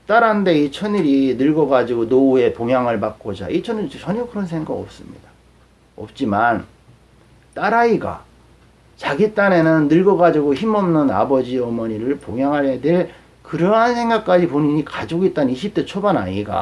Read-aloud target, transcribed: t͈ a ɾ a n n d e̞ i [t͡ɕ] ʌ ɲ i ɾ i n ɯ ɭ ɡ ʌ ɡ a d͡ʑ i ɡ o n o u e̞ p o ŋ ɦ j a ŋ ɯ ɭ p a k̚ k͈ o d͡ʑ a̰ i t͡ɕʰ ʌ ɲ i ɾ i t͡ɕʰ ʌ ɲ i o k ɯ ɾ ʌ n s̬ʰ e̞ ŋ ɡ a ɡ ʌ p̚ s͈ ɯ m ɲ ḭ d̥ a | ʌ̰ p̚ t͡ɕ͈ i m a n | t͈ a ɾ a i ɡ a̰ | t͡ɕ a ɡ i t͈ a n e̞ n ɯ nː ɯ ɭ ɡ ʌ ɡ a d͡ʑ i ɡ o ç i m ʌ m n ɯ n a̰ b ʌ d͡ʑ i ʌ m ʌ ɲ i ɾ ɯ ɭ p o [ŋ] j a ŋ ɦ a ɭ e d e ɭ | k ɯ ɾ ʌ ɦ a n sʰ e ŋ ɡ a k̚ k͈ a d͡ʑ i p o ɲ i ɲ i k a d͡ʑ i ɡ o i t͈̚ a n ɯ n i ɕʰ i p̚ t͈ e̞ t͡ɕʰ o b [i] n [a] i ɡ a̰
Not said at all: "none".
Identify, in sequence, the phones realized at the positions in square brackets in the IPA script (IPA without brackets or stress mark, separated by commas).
t͡ɕʰ, ŋ, a, a